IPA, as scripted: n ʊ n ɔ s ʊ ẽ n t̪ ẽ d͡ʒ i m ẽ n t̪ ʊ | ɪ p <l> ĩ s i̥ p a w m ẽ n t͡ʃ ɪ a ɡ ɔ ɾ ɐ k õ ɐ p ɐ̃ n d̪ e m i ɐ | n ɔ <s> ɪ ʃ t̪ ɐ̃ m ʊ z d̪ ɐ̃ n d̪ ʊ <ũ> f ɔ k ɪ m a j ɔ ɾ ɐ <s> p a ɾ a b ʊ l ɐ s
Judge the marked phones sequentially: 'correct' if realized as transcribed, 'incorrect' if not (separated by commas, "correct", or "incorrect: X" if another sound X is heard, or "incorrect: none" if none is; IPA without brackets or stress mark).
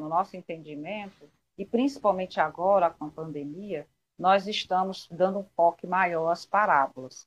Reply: incorrect: ɾ, incorrect: z, correct, correct